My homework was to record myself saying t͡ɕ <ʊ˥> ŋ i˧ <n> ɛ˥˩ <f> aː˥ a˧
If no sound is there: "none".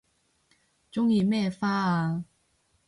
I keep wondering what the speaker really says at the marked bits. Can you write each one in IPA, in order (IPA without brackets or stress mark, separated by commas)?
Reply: ʊ˥, m, f